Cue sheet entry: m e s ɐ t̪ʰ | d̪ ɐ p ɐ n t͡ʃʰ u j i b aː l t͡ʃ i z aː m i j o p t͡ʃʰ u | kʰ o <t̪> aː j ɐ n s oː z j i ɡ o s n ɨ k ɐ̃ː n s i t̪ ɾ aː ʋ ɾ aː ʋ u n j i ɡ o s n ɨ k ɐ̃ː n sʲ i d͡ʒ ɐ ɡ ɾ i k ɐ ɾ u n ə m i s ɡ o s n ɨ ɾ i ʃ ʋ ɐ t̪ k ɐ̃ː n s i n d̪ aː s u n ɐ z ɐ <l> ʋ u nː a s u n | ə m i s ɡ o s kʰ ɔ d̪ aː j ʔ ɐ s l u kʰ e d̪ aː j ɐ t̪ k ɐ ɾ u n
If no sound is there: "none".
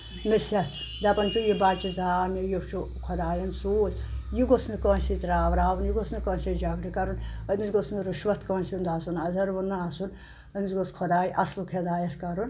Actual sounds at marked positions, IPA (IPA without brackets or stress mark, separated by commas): d̪, ɾ